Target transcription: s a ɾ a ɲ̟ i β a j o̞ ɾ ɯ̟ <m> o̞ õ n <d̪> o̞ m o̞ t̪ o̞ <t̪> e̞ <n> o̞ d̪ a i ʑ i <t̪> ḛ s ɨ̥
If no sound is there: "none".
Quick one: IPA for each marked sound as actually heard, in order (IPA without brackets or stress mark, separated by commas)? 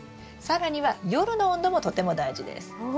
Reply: n, d̪, t̪, m, d̪